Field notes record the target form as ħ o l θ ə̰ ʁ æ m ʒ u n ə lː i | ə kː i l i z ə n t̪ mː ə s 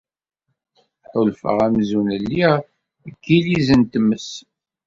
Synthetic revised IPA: ħ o l f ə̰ ʁ æ m z u n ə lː i | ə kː i l i z ə n t̪ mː ə s